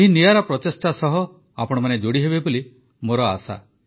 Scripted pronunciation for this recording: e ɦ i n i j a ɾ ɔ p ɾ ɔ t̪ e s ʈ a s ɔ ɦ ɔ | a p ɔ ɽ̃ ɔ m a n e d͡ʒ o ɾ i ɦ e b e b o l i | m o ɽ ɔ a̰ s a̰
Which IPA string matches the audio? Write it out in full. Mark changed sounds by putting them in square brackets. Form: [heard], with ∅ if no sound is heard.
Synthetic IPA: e ɦ i n i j a ɾ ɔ p ɾ ɔ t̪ e s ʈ a s ɔ ɦ ɔ | a p ɔ ɽ̃ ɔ m a n e d͡ʒ o [ɽ] i ɦ e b e b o l i | m o [ɾ] ɔ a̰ s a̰